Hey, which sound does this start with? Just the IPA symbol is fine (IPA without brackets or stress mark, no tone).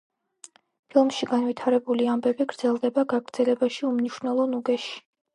pʰ